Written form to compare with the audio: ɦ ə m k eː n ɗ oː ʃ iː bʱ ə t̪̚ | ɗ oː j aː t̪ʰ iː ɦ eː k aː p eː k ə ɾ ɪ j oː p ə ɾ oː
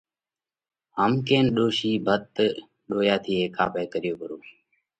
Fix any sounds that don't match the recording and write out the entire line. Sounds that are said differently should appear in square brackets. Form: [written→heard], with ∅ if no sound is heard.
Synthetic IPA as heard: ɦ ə m k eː n ɗ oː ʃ iː bʱ ə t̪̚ | ɗ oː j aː t̪ʰ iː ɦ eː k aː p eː k ə ɾ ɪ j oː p ə ɾ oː